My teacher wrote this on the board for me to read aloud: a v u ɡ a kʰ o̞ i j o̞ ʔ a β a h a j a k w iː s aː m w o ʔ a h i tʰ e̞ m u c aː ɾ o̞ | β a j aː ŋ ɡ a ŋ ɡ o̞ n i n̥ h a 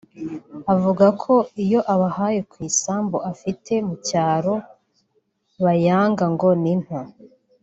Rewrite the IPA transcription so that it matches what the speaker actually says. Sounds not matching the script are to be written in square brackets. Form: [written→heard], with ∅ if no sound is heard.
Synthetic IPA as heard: a v u ɡ a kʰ o̞ i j o̞ ʔ a β a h a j [a→e] k w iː s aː m [w→b] o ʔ a [h→f] i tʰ e̞ m u c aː ɾ o̞ | β a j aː ŋ ɡ a ŋ ɡ o̞ n i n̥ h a